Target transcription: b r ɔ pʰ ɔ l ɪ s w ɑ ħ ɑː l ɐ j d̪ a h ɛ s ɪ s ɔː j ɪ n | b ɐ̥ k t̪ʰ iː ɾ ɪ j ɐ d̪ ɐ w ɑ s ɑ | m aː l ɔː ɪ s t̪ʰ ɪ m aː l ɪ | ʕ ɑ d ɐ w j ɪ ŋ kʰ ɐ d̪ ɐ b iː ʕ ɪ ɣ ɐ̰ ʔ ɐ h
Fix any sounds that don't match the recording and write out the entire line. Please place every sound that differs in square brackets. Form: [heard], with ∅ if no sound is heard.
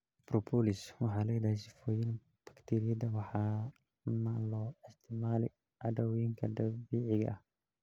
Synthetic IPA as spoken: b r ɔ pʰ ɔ l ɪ s w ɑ ħ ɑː l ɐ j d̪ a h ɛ s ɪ [f] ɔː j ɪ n | b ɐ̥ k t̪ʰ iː ɾ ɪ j ɐ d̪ ɐ w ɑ [ħ] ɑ | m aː l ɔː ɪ s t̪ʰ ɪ m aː l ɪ | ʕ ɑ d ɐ w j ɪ ŋ kʰ ɐ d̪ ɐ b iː ʕ ɪ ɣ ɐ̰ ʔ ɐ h